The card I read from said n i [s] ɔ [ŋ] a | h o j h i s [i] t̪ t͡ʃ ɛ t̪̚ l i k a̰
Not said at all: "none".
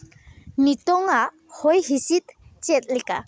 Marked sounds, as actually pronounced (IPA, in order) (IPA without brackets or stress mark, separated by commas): t, ŋ, i